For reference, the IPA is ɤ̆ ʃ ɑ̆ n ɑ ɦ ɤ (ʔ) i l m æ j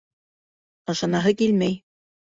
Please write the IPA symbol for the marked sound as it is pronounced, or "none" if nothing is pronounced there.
k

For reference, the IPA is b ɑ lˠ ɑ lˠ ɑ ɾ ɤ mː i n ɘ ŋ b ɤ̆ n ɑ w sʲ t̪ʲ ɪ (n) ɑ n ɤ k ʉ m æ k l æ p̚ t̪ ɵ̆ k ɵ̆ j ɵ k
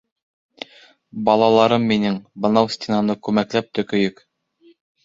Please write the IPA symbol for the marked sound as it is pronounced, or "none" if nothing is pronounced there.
n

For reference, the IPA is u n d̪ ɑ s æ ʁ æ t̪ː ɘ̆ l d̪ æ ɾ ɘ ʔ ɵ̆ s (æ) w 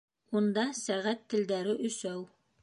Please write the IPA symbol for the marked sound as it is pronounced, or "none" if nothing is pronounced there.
æ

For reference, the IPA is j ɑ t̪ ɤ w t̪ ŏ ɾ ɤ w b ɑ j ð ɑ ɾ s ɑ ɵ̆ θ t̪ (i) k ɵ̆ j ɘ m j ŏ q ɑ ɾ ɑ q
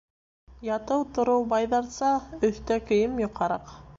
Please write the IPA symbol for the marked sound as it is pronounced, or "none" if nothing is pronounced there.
æ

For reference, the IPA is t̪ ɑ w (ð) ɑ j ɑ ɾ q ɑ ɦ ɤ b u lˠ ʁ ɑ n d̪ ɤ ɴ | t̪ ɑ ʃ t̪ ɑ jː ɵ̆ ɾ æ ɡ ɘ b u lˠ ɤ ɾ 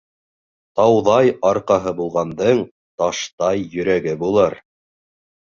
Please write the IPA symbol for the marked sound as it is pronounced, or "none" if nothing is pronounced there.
ð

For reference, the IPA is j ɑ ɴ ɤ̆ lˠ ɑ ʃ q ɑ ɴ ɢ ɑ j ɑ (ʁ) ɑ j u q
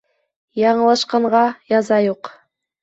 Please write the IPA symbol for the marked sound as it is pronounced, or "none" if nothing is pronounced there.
z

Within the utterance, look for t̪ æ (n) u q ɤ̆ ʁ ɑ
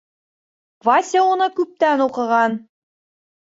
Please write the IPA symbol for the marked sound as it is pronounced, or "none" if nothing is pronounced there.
n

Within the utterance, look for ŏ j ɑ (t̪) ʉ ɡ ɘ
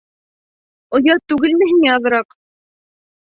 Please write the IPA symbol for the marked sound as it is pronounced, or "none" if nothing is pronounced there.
t̪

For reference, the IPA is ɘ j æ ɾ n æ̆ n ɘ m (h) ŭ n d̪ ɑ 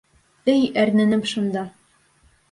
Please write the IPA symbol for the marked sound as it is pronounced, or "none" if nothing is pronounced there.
ʃ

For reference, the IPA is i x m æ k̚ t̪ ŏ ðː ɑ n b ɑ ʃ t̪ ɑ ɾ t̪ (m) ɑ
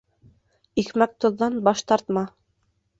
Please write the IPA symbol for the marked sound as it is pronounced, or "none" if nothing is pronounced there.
m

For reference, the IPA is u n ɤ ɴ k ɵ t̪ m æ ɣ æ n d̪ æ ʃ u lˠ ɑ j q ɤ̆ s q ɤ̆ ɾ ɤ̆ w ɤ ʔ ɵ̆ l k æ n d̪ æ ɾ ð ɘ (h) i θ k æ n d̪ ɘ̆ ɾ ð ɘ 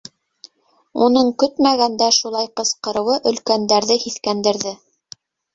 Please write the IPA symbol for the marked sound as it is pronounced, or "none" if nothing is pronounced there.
h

